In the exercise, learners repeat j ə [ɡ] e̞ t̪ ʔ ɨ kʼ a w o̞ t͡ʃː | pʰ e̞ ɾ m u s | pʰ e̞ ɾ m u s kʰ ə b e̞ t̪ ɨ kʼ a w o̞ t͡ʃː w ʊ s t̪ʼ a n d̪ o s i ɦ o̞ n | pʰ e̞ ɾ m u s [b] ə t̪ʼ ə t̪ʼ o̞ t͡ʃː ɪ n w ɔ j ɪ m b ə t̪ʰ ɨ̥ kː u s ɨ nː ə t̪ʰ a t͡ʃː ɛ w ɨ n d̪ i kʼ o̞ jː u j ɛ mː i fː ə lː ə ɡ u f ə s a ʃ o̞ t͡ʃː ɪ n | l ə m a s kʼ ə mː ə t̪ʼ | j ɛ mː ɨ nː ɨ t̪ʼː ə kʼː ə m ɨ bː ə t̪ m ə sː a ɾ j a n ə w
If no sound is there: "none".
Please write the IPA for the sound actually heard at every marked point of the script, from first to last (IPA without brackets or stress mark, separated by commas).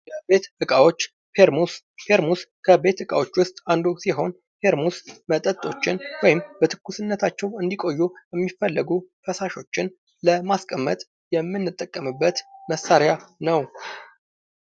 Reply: b, m